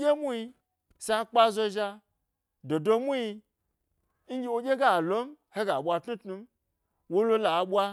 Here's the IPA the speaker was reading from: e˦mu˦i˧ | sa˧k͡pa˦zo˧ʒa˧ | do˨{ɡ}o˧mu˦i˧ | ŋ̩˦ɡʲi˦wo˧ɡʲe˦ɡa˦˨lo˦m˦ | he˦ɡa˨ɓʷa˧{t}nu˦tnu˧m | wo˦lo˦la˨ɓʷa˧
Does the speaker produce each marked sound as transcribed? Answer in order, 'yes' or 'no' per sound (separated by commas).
no, yes